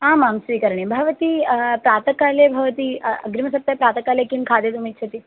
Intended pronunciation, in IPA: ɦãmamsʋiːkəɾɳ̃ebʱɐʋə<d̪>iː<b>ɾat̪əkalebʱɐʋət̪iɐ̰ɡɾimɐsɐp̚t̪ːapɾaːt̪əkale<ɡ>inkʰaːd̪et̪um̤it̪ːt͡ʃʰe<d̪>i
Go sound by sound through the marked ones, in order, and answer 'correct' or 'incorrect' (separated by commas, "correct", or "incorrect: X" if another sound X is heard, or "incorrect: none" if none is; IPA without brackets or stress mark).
incorrect: t̪, incorrect: p, incorrect: k, incorrect: t̪